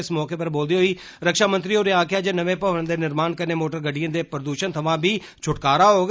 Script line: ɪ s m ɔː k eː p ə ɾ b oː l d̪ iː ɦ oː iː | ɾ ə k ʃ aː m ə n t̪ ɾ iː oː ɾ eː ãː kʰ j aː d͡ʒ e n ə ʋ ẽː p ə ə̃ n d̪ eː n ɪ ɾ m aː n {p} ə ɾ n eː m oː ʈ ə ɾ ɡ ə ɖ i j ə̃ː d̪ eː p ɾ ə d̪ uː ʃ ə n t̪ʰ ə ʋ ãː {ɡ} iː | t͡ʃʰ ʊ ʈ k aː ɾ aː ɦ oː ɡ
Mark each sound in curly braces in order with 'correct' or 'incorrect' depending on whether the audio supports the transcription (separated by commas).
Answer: incorrect, incorrect